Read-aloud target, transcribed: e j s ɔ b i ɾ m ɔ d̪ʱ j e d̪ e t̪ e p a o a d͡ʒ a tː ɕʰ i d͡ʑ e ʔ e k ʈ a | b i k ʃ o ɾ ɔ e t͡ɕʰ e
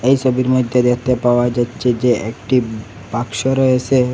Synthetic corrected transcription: e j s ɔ b i ɾ m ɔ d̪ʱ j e d̪ e t̪ e p a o a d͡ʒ a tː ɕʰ e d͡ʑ e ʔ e k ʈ i | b a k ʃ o ɾ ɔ e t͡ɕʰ e